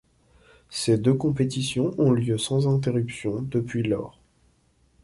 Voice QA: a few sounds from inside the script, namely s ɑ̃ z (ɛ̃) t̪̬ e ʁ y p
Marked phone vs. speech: correct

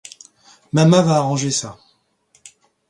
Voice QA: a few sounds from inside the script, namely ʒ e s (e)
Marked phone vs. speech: incorrect: a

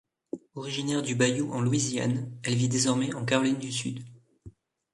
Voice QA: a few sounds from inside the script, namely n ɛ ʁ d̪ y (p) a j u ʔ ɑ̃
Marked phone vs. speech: incorrect: b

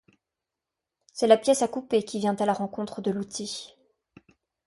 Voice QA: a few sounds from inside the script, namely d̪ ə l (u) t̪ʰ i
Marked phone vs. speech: correct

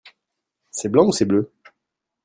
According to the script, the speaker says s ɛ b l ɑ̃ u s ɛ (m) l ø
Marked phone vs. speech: incorrect: b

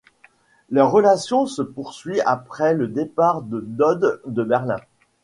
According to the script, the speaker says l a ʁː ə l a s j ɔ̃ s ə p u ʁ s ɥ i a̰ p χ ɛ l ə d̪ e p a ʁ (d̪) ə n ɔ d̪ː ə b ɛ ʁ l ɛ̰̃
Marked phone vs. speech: correct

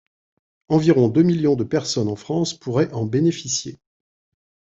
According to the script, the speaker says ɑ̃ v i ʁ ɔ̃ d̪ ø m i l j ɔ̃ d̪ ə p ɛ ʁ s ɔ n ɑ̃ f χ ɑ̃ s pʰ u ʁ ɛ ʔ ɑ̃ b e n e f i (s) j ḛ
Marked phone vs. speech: correct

